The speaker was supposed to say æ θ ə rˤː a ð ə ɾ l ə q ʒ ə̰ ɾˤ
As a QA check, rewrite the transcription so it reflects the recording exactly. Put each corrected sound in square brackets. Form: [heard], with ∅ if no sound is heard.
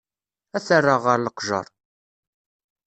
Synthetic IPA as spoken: æ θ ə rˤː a [ʁ] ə ɾ l ə q ʒ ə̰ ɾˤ